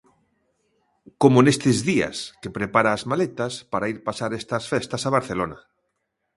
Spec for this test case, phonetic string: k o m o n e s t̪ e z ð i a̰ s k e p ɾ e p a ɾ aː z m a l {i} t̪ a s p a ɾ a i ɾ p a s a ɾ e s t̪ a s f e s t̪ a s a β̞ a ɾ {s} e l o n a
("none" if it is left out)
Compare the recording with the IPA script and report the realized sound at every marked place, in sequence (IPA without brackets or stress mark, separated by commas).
e, θ